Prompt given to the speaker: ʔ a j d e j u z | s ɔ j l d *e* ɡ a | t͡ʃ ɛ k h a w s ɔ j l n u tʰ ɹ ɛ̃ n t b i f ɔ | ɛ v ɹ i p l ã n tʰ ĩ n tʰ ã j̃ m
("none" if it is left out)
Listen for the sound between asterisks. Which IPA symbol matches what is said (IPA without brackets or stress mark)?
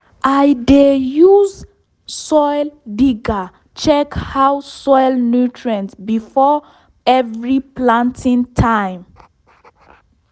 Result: i